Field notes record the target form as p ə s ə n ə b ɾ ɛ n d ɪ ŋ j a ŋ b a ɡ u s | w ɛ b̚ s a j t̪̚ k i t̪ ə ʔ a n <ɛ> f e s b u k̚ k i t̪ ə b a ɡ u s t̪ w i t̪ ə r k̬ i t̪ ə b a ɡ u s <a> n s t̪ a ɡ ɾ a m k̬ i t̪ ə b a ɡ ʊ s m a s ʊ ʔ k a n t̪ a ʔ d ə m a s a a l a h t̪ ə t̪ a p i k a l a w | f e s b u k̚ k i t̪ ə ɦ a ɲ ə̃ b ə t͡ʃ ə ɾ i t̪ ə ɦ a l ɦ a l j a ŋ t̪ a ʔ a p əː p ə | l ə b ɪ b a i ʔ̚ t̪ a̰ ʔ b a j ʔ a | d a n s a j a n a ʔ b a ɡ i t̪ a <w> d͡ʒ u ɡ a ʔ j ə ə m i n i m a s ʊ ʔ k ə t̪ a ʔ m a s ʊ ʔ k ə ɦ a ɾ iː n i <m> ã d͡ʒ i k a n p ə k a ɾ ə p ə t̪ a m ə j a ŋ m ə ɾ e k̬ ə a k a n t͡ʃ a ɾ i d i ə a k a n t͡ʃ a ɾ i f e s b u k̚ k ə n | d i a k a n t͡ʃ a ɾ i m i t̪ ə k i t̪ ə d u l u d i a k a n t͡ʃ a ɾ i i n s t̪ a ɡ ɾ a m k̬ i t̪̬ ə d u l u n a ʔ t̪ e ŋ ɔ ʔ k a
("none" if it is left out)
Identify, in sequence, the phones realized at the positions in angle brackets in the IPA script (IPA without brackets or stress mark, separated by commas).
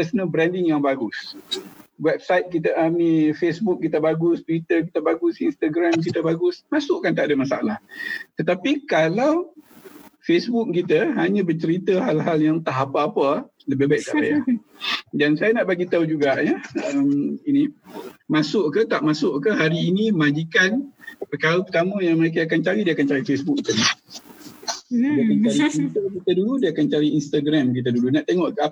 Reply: i, i, u, m